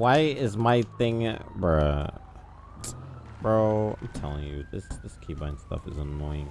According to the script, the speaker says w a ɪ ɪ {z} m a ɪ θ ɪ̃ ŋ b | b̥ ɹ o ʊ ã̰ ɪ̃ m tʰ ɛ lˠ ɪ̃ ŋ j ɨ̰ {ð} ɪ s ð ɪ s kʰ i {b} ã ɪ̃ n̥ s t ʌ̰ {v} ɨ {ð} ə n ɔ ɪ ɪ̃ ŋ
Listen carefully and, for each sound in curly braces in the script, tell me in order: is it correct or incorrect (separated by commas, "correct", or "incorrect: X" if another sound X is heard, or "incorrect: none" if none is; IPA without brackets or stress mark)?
correct, correct, correct, incorrect: f, incorrect: z